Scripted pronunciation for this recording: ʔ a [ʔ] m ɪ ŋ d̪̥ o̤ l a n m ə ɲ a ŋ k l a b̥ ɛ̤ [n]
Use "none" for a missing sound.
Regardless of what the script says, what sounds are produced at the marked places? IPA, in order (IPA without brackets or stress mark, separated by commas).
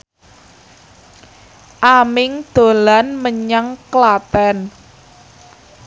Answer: none, n